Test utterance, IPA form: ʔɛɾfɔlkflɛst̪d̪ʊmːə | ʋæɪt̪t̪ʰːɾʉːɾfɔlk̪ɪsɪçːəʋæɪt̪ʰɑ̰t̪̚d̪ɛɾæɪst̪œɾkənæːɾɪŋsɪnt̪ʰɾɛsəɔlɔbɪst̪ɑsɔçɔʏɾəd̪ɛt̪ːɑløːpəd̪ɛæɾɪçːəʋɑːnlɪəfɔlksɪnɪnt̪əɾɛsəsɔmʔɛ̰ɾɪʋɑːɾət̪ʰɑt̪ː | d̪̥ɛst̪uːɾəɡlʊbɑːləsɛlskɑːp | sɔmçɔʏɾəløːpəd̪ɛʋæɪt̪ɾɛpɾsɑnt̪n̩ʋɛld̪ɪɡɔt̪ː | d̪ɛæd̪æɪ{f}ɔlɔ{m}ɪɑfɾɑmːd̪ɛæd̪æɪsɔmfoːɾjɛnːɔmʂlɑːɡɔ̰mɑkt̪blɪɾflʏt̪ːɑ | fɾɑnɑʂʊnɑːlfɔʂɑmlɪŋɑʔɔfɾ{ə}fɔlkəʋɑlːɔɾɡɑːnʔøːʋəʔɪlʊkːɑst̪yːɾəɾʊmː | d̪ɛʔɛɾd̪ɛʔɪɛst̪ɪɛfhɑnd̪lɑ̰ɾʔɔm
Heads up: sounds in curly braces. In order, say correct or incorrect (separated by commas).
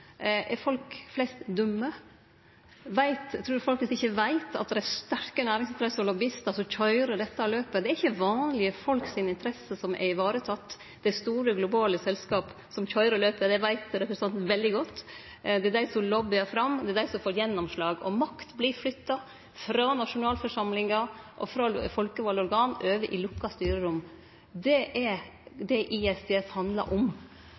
incorrect, incorrect, incorrect